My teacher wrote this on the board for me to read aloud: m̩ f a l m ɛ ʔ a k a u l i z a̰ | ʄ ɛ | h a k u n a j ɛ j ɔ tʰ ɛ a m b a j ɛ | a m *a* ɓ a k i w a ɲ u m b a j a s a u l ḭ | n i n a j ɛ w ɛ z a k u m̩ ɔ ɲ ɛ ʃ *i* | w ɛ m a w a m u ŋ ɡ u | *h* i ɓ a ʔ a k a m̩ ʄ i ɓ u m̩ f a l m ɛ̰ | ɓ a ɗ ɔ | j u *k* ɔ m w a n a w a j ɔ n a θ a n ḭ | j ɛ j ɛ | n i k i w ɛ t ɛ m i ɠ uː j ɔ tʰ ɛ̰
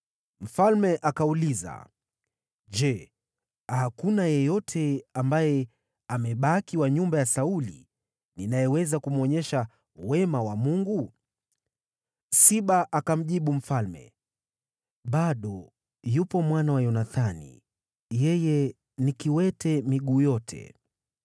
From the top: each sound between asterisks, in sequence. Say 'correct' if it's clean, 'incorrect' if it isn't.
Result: incorrect, incorrect, incorrect, incorrect

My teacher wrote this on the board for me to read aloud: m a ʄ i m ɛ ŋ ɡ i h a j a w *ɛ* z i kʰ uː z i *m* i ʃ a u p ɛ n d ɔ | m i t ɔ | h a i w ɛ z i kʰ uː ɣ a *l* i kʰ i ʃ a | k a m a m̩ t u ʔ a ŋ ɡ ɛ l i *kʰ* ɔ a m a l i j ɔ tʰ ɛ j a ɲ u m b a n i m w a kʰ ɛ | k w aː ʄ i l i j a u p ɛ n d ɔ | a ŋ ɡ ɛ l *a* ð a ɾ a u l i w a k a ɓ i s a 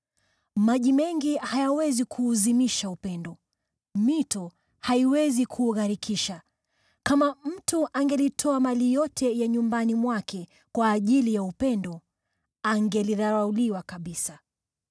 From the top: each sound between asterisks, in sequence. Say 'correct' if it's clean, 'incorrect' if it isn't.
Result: correct, correct, incorrect, incorrect, incorrect

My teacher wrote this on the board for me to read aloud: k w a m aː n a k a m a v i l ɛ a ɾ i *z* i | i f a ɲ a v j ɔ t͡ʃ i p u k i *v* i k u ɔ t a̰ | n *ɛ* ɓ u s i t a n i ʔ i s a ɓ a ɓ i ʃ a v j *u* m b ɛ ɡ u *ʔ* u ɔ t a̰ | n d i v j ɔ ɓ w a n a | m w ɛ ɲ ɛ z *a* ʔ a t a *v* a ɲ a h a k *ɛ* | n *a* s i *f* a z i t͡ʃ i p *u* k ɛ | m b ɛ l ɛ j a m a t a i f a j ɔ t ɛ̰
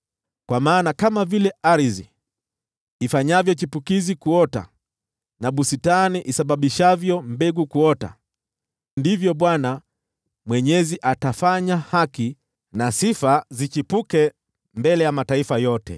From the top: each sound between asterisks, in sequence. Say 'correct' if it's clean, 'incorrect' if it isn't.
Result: correct, incorrect, incorrect, incorrect, incorrect, incorrect, incorrect, incorrect, correct, correct, correct

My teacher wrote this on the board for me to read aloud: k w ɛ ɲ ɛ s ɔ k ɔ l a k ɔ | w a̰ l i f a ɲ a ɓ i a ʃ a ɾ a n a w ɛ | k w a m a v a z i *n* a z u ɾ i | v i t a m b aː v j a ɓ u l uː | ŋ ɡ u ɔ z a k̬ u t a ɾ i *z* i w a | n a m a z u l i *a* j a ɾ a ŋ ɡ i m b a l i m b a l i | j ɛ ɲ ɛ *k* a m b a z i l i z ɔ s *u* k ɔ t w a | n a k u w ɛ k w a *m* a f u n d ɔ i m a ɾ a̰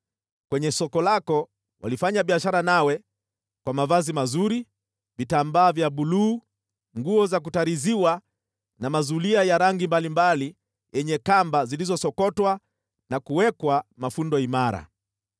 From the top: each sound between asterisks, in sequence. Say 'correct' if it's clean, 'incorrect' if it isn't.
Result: incorrect, correct, correct, correct, incorrect, correct

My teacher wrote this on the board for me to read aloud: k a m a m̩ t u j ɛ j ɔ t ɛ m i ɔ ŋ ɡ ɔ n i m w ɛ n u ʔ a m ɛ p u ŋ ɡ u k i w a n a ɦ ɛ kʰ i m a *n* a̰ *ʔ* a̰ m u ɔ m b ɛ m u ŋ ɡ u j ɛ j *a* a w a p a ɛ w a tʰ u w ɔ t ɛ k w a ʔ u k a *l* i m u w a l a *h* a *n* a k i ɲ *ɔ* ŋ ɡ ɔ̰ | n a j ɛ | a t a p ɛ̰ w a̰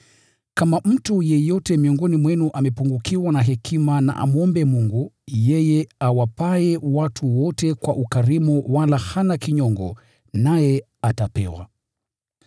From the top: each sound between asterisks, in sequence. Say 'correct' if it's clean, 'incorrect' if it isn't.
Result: correct, correct, incorrect, incorrect, correct, correct, correct

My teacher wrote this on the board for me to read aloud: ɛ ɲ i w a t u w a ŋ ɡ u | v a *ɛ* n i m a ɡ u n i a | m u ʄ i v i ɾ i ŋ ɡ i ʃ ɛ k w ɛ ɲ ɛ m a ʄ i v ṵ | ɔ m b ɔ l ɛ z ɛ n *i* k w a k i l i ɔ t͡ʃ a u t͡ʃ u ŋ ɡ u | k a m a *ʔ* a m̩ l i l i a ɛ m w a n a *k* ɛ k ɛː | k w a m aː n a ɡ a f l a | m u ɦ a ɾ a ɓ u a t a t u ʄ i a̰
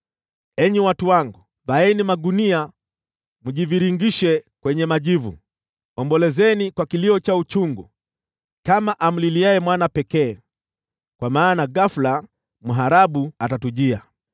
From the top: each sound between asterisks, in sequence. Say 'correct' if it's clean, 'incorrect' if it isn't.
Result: correct, correct, correct, incorrect

